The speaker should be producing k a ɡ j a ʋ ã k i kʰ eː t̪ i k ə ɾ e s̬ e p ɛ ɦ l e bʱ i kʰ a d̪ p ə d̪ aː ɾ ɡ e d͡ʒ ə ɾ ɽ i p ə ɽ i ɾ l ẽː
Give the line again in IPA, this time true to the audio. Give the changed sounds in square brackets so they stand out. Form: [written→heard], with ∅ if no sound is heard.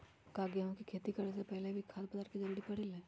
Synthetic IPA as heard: k a ɡ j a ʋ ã k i kʰ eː t̪ i k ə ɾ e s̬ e p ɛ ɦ l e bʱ i kʰ a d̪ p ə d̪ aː ɾ [ɡ→k] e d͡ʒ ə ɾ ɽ i p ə ɽ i [ɾ→∅] l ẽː